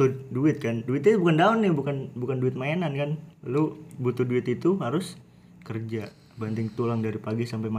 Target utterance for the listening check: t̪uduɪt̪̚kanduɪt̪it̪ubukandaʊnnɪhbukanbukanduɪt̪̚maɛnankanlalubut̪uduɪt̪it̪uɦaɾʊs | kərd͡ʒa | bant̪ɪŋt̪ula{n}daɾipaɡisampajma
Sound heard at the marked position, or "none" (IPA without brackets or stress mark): ŋ